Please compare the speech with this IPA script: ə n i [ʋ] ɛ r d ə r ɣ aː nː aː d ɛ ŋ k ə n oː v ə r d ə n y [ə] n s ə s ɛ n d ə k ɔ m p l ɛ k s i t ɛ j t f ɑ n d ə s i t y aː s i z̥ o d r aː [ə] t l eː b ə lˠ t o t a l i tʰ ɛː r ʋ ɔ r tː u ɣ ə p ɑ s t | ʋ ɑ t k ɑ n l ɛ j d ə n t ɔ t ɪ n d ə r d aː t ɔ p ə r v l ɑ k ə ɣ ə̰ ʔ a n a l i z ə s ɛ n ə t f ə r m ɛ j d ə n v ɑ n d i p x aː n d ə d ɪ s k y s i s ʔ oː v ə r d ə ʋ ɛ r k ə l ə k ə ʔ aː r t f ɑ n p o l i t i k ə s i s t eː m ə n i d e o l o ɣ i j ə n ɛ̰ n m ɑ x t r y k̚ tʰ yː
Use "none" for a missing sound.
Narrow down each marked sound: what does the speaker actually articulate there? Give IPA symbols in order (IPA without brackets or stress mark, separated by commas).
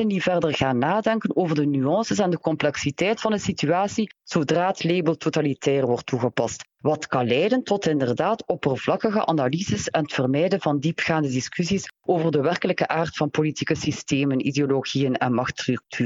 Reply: v, ɑ, ə